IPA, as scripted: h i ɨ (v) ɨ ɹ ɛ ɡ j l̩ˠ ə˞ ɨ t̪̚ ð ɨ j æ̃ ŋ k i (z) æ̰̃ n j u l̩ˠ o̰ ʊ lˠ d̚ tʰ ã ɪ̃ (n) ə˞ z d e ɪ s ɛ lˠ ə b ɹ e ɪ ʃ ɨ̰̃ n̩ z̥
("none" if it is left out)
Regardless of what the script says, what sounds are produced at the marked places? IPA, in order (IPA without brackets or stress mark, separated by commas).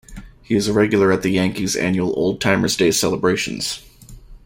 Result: z, z, m